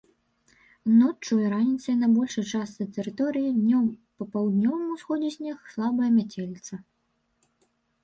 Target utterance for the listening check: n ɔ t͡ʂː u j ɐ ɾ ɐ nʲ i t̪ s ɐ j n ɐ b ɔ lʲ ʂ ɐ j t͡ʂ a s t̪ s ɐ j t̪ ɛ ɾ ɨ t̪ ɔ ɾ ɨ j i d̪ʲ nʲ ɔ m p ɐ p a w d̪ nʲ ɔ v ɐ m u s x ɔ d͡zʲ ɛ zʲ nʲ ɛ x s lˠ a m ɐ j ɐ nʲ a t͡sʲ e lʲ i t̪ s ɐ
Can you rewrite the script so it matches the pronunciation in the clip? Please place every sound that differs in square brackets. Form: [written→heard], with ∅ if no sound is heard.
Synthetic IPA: n ɔ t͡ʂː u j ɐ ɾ [ɐ→a] nʲ i t̪ s ɐ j n ɐ b ɔ lʲ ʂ ɐ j t͡ʂ a s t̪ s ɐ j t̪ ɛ ɾ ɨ t̪ ɔ ɾ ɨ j i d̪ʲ nʲ ɔ m p ɐ p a w d̪ nʲ ɔ v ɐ m u s x ɔ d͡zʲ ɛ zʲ nʲ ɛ x s lˠ a [m→b] ɐ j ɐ [nʲ→mʲ] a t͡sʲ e lʲ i t̪ s ɐ